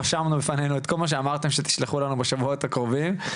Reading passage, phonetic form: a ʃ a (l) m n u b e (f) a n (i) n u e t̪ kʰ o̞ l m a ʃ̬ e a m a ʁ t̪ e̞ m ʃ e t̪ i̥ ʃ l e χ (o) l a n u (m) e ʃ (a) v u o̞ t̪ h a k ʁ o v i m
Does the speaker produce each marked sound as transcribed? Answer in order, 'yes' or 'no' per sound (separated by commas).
no, yes, no, no, no, yes